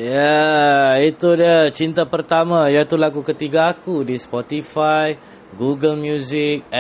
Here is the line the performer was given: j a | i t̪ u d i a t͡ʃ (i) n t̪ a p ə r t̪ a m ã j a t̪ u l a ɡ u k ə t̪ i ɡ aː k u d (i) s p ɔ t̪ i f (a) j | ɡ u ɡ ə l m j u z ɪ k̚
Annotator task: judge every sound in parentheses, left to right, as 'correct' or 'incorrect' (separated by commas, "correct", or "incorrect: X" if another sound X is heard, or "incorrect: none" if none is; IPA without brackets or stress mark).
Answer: correct, correct, correct